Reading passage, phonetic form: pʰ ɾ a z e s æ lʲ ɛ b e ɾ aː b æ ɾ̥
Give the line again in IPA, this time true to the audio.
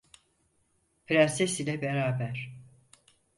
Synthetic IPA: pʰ ɾ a s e s i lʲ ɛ b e ɾ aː b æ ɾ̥